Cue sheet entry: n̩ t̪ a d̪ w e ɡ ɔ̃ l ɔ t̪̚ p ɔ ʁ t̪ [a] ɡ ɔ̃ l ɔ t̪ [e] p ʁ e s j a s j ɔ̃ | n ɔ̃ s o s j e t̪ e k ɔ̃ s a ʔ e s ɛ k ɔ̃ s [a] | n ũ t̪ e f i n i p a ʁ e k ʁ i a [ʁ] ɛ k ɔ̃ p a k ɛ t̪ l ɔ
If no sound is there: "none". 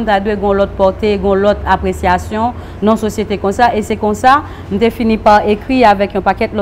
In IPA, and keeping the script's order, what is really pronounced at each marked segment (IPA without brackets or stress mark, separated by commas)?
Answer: e, a, a, v